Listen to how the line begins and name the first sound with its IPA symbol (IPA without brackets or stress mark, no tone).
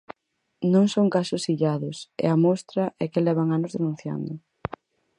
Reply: n